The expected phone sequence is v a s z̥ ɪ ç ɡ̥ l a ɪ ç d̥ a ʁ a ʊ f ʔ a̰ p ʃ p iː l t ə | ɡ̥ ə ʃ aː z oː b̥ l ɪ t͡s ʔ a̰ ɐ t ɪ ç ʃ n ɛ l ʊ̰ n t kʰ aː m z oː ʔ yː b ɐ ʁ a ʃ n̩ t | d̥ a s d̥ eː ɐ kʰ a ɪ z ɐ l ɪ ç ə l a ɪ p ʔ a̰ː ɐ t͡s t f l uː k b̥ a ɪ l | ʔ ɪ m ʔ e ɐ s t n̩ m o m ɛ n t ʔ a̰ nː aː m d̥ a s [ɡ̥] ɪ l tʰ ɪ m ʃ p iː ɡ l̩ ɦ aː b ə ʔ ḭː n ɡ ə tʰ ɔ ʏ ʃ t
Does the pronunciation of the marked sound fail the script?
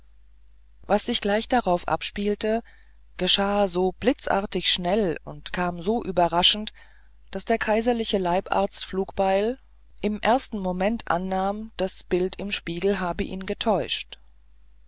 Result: yes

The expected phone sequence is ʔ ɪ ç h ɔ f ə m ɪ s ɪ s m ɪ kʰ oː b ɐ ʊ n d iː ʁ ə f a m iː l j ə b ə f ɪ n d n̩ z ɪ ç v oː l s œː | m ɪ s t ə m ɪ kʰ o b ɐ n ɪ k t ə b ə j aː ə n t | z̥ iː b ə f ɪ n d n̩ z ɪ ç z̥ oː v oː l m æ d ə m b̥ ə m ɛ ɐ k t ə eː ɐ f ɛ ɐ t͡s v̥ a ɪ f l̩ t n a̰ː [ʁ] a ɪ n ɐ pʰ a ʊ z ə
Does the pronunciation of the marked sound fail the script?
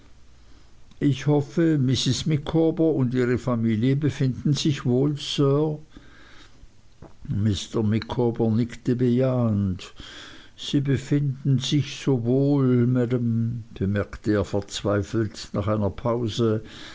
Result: yes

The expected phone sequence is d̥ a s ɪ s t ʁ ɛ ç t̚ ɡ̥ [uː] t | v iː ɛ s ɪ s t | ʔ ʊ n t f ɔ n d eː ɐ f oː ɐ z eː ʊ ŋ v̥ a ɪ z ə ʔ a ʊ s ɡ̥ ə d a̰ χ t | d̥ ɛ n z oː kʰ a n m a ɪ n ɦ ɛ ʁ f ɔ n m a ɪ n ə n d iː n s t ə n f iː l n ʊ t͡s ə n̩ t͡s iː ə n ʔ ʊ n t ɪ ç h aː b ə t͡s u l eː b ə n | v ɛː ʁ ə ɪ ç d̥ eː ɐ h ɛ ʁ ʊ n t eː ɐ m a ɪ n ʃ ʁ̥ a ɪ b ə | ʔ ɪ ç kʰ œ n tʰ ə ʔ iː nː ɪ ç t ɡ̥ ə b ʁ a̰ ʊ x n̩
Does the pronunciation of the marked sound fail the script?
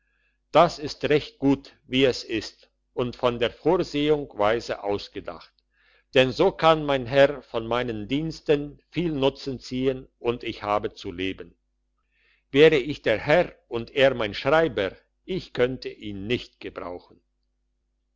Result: no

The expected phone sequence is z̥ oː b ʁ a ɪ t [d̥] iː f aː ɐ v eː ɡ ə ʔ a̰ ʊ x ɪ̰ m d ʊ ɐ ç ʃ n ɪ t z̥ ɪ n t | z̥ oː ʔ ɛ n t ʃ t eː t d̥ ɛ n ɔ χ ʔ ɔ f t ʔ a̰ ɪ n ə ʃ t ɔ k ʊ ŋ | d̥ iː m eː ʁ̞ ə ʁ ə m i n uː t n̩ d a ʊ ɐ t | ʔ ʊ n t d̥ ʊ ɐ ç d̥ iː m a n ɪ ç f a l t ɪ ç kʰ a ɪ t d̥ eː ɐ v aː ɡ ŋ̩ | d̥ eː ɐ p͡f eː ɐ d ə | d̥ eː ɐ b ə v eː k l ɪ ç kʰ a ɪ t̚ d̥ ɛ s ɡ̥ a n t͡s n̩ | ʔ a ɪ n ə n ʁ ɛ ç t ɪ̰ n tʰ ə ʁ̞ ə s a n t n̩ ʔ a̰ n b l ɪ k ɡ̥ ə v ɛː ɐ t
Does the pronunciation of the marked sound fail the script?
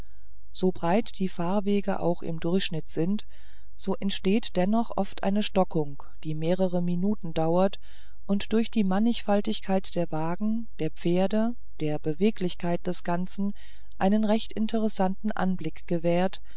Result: no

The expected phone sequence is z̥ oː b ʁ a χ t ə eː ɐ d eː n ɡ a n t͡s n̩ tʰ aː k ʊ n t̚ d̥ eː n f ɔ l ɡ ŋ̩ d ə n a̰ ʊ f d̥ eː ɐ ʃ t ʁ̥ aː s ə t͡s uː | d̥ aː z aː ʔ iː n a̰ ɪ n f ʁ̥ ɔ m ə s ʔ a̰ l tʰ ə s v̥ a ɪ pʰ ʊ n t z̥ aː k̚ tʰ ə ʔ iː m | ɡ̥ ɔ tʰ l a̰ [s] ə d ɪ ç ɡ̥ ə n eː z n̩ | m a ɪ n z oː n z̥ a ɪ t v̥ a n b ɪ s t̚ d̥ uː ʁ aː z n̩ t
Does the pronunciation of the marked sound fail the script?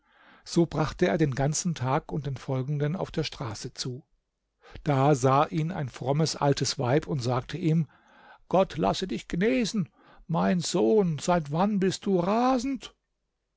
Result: no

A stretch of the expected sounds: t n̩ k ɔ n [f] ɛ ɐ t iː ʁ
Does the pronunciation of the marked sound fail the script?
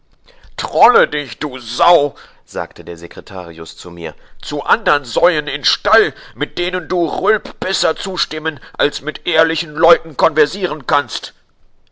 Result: yes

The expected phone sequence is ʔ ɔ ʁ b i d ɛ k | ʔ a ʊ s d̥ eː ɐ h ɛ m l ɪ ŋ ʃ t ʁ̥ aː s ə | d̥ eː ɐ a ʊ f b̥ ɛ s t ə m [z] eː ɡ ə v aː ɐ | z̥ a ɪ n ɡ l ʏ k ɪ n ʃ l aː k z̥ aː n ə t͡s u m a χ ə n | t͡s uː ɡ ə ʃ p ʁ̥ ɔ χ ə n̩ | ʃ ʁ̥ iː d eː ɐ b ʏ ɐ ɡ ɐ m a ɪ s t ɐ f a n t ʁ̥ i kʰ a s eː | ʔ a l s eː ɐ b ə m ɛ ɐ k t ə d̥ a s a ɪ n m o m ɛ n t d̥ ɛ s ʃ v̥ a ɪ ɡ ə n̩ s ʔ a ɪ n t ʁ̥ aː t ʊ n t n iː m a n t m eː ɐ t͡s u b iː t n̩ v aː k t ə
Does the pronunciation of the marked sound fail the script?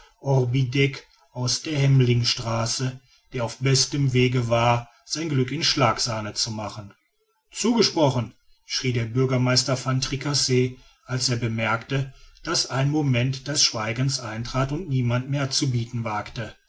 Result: yes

